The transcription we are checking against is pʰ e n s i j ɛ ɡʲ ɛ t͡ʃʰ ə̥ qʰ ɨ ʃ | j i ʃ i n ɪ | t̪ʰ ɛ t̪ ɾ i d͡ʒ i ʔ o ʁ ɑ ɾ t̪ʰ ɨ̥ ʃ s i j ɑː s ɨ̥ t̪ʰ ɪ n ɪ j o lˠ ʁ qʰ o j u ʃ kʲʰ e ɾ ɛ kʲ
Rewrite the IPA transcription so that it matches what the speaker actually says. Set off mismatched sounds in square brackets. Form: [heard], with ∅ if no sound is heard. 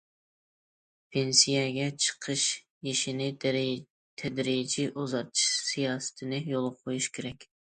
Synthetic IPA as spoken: pʰ e n s i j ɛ ɡʲ ɛ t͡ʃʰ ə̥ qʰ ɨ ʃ | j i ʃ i n ɪ | t̪ʰ ɛ [d̪] ɾ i d͡ʒ i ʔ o [z] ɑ ɾ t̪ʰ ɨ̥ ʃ s i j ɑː s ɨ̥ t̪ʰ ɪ n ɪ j o lˠ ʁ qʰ o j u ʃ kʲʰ e ɾ ɛ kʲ

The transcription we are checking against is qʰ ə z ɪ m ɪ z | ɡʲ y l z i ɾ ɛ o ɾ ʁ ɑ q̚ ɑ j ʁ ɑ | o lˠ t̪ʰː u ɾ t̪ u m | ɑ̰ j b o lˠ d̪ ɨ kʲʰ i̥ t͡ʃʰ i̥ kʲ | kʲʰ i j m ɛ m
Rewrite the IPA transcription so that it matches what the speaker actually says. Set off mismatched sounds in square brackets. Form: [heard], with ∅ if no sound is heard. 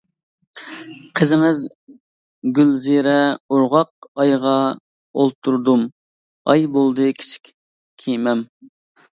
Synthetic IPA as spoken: qʰ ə z ɪ m ɪ z | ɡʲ y l z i ɾ ɛ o ɾ ʁ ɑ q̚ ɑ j ʁ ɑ | o lˠ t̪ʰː u ɾ [d̪] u m | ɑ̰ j b o lˠ d̪ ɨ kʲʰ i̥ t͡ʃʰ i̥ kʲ | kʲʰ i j m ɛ m

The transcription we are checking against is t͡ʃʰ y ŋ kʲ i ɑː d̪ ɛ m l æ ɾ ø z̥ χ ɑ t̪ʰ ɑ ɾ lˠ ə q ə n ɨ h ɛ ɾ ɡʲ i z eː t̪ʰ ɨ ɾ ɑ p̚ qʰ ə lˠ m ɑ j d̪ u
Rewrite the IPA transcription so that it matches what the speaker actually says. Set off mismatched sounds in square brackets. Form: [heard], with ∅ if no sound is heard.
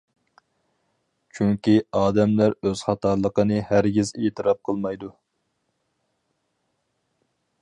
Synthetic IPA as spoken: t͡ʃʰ y ŋ kʲ i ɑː d̪ ɛ m l æ ɾ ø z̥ χ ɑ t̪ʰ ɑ ɾ lˠ ə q ə n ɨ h [æ] ɾ ɡʲ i z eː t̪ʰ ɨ ɾ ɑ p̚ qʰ ə lˠ m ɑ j d̪ u

